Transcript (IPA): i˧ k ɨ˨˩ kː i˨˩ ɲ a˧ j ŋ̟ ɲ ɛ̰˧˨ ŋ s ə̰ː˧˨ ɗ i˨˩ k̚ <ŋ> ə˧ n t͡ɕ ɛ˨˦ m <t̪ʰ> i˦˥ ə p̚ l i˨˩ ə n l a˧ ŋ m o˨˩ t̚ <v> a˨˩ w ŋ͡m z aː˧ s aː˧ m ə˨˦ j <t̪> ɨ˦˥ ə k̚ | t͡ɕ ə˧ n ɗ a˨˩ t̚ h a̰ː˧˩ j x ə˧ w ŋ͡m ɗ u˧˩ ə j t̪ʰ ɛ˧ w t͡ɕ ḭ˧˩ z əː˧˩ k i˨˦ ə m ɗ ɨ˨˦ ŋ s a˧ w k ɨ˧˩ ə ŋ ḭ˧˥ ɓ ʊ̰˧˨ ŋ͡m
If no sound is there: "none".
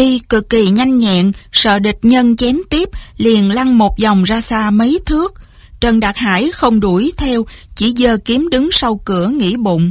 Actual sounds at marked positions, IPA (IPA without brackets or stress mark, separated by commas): ɲ, t̪, z, t̪ʰ